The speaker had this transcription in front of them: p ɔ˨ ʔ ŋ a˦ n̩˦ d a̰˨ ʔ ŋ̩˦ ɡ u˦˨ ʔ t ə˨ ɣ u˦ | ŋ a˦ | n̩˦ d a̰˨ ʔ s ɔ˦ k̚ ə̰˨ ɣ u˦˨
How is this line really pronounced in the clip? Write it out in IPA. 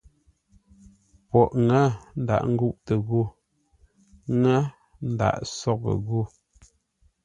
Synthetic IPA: p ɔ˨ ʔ ŋ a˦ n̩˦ d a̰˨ ʔ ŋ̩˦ ɡ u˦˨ ʔ t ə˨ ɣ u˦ | ŋ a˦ | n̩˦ d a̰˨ ʔ s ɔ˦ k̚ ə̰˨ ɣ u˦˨